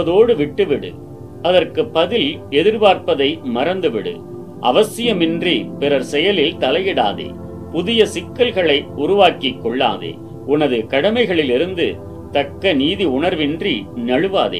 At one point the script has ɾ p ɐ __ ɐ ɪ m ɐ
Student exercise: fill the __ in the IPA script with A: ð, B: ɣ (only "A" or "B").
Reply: A